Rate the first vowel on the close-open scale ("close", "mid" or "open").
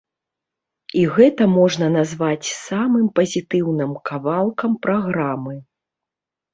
close